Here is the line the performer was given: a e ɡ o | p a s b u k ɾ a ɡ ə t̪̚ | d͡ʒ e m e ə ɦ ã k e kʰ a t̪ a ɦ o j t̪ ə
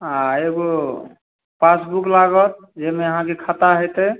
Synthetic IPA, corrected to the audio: a e ɡ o | p a s b u k l a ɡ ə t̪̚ | d͡ʒ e m e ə ɦ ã k e kʰ a t̪ a ɦ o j t̪ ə